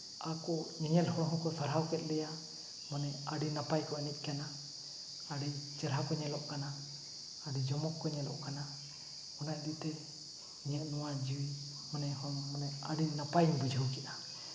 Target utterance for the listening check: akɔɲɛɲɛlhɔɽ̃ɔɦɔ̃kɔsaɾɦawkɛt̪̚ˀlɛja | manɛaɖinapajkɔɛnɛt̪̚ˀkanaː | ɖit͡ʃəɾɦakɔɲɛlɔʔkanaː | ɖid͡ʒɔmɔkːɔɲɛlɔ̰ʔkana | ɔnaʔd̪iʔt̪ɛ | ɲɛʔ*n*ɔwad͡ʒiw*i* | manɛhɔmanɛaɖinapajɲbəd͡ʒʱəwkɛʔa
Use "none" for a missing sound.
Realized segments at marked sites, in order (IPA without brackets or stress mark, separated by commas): n, i